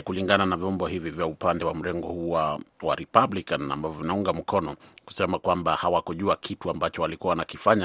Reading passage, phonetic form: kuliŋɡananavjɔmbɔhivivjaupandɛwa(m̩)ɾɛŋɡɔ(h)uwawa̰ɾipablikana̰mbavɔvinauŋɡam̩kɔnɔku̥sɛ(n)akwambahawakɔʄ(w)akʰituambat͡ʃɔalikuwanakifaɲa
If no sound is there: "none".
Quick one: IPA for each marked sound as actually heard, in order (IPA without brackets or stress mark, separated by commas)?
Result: m̩, h, m, u